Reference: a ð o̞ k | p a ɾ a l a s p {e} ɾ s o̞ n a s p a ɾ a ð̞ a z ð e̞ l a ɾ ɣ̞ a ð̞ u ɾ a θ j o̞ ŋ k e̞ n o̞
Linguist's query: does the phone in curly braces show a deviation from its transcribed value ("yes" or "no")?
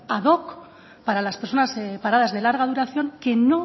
no